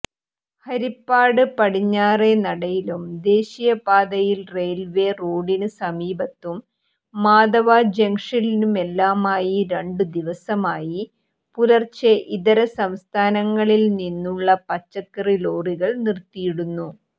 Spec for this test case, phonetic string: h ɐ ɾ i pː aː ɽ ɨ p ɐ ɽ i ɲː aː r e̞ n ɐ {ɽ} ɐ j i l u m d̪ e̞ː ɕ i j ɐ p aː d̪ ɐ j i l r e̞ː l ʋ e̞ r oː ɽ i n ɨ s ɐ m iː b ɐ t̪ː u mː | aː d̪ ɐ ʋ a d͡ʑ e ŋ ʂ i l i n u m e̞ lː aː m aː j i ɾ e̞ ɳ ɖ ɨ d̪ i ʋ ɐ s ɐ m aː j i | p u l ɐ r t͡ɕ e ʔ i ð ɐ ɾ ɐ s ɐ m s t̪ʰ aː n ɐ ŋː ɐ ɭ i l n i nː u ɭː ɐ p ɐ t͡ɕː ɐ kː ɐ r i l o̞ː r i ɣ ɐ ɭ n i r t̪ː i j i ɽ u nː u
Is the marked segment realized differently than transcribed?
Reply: no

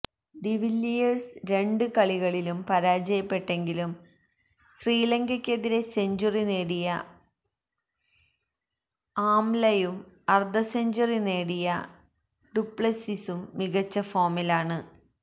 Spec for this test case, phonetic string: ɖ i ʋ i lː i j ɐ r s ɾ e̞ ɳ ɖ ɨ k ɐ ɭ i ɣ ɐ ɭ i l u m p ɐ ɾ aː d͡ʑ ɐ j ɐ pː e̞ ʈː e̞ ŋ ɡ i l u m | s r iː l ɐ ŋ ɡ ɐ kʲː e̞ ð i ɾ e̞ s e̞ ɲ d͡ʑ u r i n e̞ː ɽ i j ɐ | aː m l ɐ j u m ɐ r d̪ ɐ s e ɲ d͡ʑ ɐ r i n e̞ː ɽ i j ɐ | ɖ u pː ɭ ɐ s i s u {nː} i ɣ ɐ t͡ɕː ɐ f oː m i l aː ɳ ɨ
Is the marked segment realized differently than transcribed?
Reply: yes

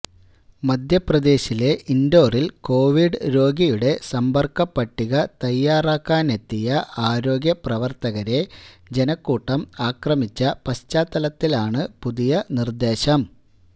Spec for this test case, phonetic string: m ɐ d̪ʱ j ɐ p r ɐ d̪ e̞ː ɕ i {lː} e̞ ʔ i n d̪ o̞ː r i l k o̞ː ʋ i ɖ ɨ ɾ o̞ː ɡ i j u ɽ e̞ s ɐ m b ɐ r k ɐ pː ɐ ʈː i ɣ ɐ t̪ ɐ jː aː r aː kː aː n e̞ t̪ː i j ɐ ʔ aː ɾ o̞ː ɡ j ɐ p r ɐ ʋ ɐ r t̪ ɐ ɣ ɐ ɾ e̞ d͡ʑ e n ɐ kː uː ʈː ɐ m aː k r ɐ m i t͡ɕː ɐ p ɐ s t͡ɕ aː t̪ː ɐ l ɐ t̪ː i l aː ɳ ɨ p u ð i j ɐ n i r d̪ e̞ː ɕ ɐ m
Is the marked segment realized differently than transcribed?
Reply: yes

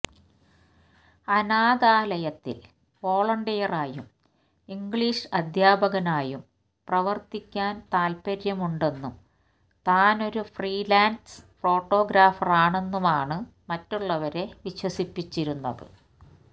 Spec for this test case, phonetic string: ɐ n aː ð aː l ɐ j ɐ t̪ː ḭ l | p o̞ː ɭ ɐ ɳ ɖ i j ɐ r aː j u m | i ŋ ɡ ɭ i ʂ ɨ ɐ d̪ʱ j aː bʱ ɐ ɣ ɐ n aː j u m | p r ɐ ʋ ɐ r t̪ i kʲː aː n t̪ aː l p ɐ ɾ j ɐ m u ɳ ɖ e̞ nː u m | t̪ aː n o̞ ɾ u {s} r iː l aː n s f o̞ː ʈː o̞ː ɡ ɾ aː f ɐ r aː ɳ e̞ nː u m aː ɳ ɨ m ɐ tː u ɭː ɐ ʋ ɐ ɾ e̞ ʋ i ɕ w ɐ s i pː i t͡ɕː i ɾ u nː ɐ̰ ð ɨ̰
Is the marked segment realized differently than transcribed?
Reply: yes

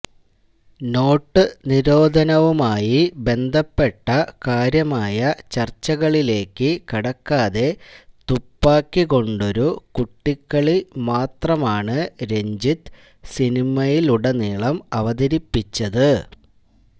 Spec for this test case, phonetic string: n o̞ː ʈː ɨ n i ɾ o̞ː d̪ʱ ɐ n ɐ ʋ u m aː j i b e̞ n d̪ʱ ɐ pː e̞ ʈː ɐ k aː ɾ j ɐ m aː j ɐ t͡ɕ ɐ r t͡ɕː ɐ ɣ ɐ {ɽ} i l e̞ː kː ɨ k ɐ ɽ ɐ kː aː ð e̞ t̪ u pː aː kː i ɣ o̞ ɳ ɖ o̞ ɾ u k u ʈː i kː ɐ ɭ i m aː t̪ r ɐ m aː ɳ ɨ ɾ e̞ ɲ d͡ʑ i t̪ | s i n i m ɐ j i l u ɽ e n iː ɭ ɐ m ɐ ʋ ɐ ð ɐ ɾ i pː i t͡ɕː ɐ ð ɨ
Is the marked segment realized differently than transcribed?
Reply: yes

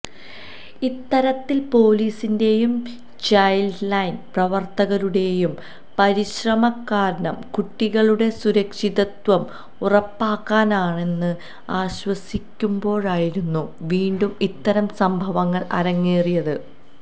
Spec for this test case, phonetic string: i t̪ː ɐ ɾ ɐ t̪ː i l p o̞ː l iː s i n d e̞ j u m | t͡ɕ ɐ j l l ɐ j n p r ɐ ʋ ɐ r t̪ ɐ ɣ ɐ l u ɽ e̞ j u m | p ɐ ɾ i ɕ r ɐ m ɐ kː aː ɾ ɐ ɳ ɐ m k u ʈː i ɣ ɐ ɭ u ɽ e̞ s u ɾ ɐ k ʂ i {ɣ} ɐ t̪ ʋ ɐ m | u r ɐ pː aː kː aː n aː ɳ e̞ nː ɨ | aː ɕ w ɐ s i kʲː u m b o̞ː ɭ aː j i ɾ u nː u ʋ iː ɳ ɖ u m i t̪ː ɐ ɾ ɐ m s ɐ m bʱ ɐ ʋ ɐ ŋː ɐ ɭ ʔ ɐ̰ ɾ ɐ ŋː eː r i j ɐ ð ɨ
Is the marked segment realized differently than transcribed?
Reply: yes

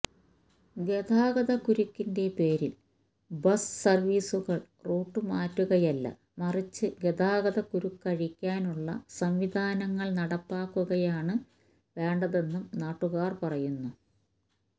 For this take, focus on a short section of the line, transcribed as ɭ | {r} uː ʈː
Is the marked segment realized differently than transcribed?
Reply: no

